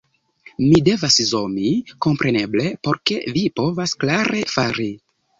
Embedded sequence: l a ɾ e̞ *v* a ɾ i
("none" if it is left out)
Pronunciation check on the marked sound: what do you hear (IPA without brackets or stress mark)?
f